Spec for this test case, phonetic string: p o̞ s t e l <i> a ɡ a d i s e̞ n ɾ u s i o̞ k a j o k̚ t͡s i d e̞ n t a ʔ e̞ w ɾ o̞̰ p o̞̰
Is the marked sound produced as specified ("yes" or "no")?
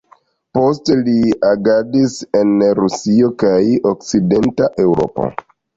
yes